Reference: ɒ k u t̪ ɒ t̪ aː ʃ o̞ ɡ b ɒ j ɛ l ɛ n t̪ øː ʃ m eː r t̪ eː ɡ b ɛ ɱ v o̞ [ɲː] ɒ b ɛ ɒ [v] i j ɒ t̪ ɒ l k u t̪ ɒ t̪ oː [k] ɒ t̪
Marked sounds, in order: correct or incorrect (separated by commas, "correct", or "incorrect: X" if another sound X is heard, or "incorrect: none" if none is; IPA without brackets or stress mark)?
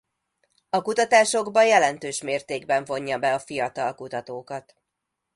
correct, incorrect: f, correct